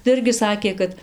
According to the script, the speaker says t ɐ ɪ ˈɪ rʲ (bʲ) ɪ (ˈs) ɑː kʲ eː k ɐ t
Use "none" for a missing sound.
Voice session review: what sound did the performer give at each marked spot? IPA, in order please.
ɡʲ, s

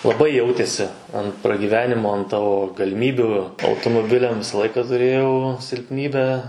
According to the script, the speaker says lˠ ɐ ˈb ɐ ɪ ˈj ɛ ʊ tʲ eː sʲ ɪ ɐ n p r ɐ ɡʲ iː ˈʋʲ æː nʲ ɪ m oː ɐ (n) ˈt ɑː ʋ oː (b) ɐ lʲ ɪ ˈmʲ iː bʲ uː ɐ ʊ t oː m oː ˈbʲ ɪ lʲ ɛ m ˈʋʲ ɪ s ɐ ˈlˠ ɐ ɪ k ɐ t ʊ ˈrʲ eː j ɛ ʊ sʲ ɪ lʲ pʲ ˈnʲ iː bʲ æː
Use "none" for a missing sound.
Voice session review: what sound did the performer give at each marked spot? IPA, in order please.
n, ɡ

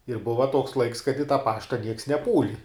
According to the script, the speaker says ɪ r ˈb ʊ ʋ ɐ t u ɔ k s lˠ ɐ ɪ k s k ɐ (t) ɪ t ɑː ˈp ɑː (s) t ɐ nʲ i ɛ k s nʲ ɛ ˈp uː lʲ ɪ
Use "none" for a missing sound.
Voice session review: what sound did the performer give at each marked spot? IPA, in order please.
t, ʃ

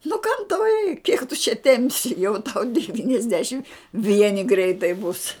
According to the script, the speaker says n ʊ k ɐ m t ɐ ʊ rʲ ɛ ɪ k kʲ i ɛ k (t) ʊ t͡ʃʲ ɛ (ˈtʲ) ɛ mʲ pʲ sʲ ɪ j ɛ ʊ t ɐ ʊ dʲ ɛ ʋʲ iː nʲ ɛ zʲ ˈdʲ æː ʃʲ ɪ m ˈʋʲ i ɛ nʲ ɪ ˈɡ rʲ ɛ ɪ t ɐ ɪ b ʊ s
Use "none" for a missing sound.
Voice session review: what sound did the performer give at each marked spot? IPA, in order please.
t, tʲ

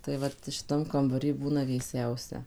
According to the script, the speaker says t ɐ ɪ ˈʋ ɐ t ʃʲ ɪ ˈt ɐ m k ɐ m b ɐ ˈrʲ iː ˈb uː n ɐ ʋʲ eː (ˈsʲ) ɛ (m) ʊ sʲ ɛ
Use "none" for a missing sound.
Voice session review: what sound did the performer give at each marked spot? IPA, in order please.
sʲ, none

